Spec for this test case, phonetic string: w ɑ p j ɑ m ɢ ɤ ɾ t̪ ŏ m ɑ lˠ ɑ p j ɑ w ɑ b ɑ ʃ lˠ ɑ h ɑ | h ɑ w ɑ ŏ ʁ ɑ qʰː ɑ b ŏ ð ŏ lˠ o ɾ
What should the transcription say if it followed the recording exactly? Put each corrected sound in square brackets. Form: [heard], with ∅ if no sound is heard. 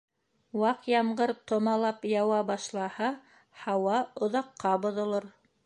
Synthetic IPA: w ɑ [q] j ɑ m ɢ ɤ ɾ t̪ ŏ m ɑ lˠ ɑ p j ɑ w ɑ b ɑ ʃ lˠ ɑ h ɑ | h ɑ w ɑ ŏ [ð] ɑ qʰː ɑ b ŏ ð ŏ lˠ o ɾ

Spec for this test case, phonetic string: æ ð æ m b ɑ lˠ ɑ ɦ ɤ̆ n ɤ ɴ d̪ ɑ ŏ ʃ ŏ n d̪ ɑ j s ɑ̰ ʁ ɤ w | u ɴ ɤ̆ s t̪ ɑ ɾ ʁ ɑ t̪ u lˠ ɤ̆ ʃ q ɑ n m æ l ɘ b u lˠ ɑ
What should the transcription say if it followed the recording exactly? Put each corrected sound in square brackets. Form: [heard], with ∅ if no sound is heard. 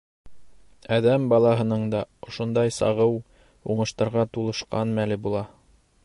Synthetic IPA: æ ð æ m b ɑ lˠ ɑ ɦ ɤ̆ n ɤ ɴ d̪ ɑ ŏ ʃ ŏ n d̪ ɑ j s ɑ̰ ʁ ɤ w | u ɴ ɤ̆ [ʃ] t̪ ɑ ɾ ʁ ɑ t̪ u lˠ ɤ̆ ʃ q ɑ n m æ l ɘ b u lˠ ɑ

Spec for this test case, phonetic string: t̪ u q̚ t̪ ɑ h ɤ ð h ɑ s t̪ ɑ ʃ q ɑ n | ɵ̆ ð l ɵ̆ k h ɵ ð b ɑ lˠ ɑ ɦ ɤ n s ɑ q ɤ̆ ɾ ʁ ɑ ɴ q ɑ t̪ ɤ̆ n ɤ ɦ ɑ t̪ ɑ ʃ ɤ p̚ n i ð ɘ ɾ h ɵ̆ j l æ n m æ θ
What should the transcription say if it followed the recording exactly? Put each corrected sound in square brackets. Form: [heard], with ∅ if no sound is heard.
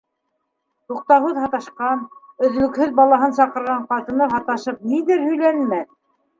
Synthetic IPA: t̪ u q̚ t̪ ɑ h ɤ ð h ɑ [∅] t̪ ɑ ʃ q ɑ n | ɵ̆ ð l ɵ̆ k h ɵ ð b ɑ lˠ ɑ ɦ ɤ n s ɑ q ɤ̆ ɾ ʁ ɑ ɴ q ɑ t̪ ɤ̆ n ɤ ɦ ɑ t̪ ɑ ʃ ɤ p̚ n i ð ɘ ɾ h ɵ̆ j l æ n m æ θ

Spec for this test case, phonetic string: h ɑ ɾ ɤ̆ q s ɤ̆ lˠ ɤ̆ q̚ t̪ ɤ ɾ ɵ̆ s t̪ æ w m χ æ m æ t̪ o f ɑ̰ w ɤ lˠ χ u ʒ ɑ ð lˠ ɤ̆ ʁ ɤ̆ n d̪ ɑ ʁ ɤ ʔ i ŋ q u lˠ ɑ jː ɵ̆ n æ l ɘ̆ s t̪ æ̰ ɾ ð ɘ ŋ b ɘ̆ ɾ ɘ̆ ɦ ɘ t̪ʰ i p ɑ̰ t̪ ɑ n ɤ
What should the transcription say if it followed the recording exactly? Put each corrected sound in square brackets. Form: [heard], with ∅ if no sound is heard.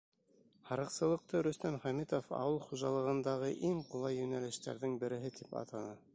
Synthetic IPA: h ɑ ɾ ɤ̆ q s ɤ̆ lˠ ɤ̆ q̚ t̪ ɤ ɾ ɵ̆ s t̪ æ [∅] m χ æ m [i] t̪ o f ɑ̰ w ɤ lˠ χ u ʒ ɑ [∅] lˠ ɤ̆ ʁ ɤ̆ n d̪ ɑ ʁ ɤ ʔ i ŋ q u lˠ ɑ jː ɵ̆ n æ l ɘ̆ [ʃ] t̪ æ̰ ɾ ð ɘ ŋ b ɘ̆ ɾ ɘ̆ ɦ ɘ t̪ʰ i p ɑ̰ t̪ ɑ n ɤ

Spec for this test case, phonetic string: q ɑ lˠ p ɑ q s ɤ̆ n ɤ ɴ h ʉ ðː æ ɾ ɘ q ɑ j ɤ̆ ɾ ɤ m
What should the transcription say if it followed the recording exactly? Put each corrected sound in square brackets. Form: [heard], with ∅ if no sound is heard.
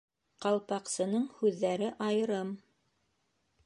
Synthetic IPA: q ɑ lˠ p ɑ q s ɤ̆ n ɤ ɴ h ʉ ðː æ ɾ ɘ [ʔ] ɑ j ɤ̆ ɾ ɤ m

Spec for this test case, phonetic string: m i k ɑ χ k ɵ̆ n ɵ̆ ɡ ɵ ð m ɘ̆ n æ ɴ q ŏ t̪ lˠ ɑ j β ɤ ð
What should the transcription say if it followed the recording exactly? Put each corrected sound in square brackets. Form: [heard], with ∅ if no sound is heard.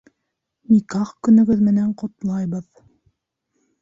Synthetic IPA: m i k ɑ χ k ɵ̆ n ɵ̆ ɡ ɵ ð m ɘ̆ n æ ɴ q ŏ t̪ lˠ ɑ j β ɤ ð

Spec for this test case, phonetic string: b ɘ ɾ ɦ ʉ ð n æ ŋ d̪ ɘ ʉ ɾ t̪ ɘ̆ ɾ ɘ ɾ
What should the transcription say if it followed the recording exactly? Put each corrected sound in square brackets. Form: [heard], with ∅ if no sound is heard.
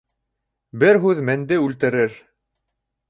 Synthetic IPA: b ɘ ɾ ɦ ʉ ð [m] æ [n] d̪ ɘ ʉ [l] t̪ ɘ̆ ɾ ɘ ɾ

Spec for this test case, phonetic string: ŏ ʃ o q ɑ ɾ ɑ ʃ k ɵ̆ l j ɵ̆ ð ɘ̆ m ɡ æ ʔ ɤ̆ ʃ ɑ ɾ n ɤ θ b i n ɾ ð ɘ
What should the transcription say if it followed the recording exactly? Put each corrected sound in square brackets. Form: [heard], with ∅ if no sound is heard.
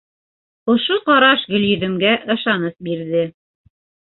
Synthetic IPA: ŏ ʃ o q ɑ ɾ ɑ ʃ [ɡ] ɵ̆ l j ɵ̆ ð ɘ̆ m ɡ æ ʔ ɤ̆ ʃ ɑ [∅] n ɤ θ b i [∅] ɾ ð ɘ

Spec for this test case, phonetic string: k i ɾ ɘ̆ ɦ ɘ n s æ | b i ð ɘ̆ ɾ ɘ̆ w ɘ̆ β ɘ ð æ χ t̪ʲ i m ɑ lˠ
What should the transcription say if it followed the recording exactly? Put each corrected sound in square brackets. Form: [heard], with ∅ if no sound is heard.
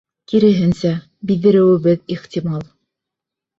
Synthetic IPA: k i ɾ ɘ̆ ɦ ɘ n s æ | b i ð ɘ̆ ɾ ɘ̆ w ɘ̆ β ɘ ð [i] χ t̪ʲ i m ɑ lˠ

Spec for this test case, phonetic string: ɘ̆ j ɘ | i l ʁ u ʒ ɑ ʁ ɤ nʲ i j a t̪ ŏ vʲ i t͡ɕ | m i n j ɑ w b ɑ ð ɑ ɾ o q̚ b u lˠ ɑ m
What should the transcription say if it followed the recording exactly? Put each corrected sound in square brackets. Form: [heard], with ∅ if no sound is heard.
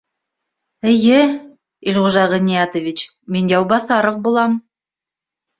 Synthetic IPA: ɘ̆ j ɘ | i l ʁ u ʒ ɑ ʁ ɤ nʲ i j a t̪ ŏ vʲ i t͡ɕ | m i n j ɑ w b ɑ [θ] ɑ ɾ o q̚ b u lˠ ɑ m

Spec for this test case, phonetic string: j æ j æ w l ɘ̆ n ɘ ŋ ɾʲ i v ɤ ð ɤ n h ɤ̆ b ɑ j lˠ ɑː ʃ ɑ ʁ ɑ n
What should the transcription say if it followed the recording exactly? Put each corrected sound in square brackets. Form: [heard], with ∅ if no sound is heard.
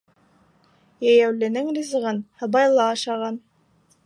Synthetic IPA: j æ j æ w l ɘ̆ n ɘ ŋ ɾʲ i [z] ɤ [ʁ] ɤ n h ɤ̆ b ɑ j lˠ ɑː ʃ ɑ ʁ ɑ n

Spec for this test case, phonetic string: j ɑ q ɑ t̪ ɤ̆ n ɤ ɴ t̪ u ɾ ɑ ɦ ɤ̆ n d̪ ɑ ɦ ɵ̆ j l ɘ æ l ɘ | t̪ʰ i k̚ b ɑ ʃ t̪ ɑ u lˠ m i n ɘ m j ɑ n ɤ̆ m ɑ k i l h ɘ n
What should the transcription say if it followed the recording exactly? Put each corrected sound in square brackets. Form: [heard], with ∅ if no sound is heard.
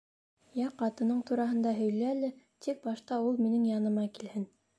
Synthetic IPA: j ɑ q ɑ t̪ ɤ̆ n ɤ ɴ t̪ u ɾ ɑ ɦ ɤ̆ n d̪ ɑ ɦ ɵ̆ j l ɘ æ l ɘ | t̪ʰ i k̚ b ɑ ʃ t̪ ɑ u lˠ m i n ɘ [ŋ] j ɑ n ɤ̆ m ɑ k i l h ɘ n

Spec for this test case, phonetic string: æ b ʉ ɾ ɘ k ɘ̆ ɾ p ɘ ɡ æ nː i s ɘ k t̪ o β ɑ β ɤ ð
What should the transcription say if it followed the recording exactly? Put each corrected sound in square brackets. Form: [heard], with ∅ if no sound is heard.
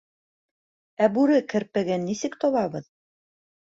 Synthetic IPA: æ b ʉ ɾ ɘ k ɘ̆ ɾ p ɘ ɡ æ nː i s ɘ k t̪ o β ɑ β ɤ ð

